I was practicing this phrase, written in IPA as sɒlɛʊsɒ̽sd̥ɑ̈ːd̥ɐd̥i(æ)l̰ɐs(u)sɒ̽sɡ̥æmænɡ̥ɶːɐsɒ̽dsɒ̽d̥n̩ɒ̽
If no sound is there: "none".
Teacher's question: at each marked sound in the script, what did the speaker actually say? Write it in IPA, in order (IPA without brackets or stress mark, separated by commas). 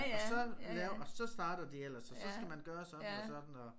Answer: e, ɒ